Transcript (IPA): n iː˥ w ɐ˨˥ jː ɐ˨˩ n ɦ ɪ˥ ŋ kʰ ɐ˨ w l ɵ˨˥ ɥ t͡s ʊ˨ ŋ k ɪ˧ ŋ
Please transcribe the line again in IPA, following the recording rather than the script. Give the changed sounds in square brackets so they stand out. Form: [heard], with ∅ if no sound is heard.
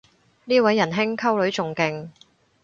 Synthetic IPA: n iː˥ w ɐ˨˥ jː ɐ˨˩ n ɦ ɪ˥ ŋ kʰ [ɐ˥] w l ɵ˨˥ ɥ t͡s ʊ˨ ŋ k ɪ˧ ŋ